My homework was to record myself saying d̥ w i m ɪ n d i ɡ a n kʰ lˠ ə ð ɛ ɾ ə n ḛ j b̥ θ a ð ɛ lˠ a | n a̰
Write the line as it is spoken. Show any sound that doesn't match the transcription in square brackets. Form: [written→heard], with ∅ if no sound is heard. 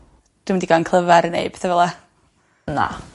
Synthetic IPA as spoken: d̥ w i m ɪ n d i ɡ a n kʰ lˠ ə [ð→v] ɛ ɾ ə n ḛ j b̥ θ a [ð→v] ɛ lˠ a | n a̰